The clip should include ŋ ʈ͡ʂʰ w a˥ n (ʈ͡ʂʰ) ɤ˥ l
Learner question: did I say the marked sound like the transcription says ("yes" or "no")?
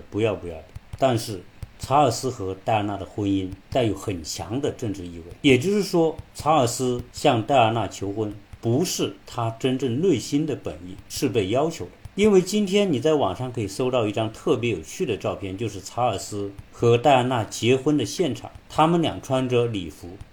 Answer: no